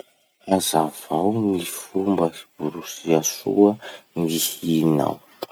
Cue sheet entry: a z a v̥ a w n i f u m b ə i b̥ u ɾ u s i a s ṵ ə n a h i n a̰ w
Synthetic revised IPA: a z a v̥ a w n i f u m b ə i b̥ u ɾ u s i a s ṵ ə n i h i n a̰ w

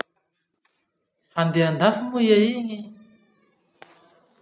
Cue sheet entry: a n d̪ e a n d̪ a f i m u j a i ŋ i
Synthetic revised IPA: a n d̪ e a n d̪ a f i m u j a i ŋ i

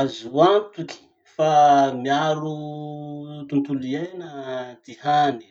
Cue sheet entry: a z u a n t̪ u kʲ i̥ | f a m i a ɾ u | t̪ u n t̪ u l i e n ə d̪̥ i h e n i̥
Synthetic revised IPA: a z u a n t̪ u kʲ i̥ | f a m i a ɾ u | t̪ u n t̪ u l i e n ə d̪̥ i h a n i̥

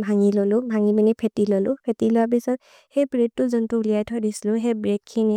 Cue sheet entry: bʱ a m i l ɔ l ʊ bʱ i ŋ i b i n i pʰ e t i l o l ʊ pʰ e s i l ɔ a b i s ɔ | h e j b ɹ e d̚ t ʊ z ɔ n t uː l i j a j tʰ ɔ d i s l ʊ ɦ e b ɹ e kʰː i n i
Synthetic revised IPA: bʱ a ŋ i l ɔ l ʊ bʱ a ŋ i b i n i pʰ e t i l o l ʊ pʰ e t i l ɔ a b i s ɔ | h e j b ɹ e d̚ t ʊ z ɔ n t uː l i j a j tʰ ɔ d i s l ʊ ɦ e b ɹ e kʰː i n i

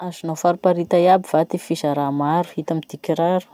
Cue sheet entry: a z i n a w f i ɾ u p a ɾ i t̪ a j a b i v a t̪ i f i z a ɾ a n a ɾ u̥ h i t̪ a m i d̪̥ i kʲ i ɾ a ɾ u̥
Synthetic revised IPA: a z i n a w f a ɾ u p a ɾ i t̪ a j a b i v a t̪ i f i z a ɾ a m a ɾ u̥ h i t̪ a m i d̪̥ i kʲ i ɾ a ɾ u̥

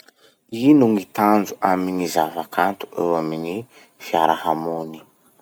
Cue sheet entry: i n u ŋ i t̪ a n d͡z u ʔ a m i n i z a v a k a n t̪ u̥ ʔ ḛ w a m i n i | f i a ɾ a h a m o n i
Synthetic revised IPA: i n u ŋ i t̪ a n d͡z u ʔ a m i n i z a v a k a n t̪ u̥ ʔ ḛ w a m i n i | f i a ɾ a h a m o n i

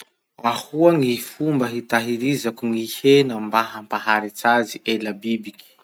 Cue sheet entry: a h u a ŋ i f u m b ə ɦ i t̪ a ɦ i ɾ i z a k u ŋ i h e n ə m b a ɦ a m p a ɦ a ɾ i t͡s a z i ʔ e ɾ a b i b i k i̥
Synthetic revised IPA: a h u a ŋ i f u m b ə ɦ i t̪ a ɦ i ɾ i z a k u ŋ i h e n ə m b a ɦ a m p a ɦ a ɾ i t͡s a z i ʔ e l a b i b i k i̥

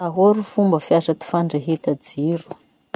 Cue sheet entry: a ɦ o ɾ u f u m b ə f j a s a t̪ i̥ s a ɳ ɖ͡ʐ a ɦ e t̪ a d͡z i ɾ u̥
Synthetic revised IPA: a ɦ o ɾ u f u m b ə f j a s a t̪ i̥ f a ɳ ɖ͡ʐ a ɦ e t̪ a d͡z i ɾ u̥

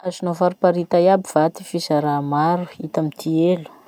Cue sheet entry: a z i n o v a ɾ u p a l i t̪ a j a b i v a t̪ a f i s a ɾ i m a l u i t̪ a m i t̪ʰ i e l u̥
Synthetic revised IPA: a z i n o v a ɾ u p a ɾ i t̪ a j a b i v a t̪ i f i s a ɾ a m a ɾ u i t̪ a m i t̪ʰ i e l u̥

